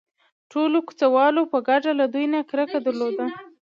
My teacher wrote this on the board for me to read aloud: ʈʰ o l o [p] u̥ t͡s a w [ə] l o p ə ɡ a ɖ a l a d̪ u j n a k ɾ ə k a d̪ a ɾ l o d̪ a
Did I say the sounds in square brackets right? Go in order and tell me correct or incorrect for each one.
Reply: incorrect, incorrect

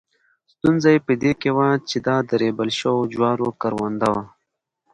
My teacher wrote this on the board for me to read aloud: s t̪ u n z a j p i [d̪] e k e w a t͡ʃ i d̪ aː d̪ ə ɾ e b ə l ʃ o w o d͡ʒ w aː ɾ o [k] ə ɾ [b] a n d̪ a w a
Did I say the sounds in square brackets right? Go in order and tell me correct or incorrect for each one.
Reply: correct, correct, incorrect

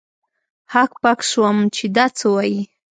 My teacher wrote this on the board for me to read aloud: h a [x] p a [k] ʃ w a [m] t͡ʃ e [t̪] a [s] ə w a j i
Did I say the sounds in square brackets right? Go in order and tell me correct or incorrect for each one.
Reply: incorrect, correct, correct, incorrect, incorrect

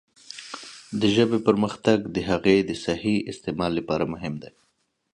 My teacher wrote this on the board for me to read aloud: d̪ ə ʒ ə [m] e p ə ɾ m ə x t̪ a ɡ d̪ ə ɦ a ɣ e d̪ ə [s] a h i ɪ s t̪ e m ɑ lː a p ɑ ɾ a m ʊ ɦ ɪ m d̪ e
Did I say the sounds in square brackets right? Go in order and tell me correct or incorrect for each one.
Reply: incorrect, correct

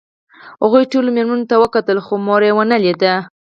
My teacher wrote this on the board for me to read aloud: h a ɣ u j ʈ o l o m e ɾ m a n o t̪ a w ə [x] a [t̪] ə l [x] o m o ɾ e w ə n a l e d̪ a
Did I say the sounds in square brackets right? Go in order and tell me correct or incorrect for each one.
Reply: incorrect, correct, correct

